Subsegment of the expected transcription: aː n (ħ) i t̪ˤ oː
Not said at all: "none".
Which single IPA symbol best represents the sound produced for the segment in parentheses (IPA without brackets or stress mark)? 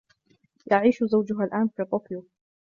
f